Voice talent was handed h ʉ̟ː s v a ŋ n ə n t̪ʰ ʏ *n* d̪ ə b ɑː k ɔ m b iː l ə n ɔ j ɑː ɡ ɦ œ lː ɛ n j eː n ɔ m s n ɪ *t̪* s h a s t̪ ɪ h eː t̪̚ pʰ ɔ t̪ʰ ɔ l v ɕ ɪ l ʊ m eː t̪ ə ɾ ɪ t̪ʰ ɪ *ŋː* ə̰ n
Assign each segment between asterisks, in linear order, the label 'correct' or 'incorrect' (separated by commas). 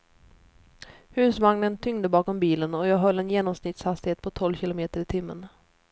incorrect, correct, incorrect